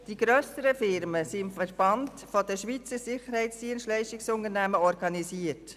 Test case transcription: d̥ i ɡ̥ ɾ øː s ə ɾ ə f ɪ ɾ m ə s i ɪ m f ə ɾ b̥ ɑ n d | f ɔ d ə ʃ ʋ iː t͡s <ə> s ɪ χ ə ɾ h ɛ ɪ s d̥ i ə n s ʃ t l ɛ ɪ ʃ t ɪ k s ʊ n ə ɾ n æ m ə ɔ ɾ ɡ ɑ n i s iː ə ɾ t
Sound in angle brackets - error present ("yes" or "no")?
no